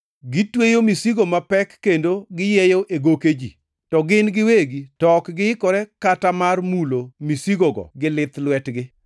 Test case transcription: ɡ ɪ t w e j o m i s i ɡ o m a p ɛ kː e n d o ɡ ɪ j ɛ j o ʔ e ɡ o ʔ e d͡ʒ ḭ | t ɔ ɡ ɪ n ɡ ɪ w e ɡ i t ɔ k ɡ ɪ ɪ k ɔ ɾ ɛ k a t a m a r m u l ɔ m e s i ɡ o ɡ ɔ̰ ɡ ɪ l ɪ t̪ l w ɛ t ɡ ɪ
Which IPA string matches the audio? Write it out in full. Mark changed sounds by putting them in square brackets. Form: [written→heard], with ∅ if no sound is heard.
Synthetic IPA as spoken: ɡ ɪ t w e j o m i s i ɡ o m a p ɛ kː e n d o ɡ ɪ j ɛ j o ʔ e ɡ o [ʔ→k] e d͡ʒ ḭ | t ɔ ɡ ɪ n ɡ ɪ w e ɡ i t ɔ k ɡ ɪ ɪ k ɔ ɾ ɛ k a t a m a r m u l [ɔ→o] m [e→i] s i ɡ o ɡ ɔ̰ ɡ ɪ l ɪ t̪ l w ɛ t ɡ ɪ